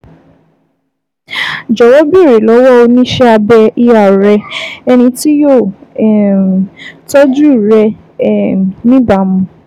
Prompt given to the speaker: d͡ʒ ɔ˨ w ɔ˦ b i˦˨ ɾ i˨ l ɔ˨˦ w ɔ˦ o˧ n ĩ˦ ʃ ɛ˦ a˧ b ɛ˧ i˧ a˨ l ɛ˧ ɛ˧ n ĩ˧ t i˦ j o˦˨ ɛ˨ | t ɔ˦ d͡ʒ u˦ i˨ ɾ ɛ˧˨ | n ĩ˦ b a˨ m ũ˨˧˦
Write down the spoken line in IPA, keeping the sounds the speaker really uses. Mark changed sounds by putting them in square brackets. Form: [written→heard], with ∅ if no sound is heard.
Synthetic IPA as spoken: d͡ʒ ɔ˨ w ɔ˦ b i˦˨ ɾ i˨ l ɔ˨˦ w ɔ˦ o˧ n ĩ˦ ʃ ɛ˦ a˧ b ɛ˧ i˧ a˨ [l→ɾ] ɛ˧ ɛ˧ n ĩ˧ t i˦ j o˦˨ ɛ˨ | t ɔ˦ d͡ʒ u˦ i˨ ɾ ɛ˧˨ | n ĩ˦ b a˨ m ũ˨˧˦

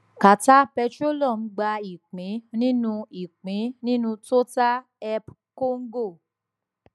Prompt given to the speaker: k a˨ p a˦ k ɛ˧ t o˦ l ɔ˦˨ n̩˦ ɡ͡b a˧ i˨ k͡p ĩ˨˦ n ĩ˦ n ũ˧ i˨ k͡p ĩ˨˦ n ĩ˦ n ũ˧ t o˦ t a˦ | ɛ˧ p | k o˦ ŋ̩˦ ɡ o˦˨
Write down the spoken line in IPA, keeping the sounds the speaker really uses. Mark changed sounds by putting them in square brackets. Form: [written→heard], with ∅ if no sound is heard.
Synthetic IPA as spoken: k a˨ [p→t] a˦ [k→p] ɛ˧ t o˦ l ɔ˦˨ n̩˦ ɡ͡b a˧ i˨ k͡p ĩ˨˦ n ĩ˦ n ũ˧ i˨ k͡p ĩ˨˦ n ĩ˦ n ũ˧ t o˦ t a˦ | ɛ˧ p | k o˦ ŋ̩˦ ɡ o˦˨

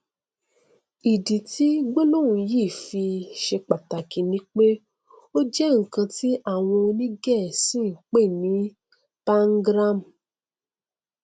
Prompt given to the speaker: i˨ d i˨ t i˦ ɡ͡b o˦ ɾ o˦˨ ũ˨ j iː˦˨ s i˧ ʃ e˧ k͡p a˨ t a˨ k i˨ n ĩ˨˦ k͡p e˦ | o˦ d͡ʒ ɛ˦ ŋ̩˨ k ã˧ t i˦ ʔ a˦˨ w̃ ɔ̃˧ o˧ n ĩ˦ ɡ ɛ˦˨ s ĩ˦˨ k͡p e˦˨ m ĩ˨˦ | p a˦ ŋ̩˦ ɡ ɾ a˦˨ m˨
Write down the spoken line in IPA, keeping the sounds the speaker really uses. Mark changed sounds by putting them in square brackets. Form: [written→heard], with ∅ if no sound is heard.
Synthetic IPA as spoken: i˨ d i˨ t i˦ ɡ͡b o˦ [ɾ→l] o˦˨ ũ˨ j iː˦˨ [s→f] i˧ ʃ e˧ k͡p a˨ t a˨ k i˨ n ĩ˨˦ k͡p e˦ | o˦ d͡ʒ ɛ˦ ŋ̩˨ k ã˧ t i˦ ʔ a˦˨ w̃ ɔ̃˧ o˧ n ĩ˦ ɡ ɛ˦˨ s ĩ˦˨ k͡p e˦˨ [m→n] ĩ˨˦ | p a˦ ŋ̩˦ ɡ ɾ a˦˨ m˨

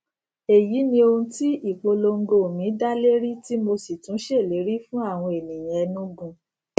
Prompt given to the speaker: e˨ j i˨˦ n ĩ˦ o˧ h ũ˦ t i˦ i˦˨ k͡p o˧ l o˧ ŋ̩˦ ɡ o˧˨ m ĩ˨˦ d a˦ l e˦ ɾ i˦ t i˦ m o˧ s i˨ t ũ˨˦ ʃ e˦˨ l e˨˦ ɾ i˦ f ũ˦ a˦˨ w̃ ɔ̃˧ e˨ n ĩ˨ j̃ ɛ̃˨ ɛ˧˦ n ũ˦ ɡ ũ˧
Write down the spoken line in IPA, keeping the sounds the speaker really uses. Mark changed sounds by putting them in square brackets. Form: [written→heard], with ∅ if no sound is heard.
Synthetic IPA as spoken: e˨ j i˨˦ n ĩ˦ o˧ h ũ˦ t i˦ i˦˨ k͡p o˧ l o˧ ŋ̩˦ ɡ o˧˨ m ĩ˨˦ d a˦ l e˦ ɾ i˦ t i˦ m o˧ s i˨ t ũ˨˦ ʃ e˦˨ l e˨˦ ɾ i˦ f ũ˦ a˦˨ w̃ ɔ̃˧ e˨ n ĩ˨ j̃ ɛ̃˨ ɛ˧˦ n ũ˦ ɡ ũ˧

